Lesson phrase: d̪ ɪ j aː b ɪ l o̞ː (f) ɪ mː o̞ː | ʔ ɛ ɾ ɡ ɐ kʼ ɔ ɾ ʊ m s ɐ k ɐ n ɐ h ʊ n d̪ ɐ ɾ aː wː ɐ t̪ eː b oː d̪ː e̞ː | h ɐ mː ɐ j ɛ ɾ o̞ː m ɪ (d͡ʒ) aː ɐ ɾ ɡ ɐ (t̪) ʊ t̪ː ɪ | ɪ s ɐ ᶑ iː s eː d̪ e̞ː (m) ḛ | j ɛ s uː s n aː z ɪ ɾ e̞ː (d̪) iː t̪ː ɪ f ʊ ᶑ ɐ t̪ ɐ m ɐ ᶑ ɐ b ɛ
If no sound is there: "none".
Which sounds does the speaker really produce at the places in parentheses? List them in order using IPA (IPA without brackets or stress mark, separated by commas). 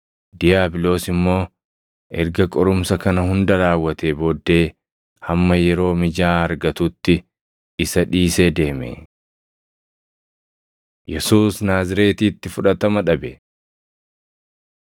s, d͡ʒ, t̪, m, t̪